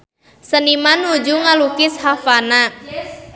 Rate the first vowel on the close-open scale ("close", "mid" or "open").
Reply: mid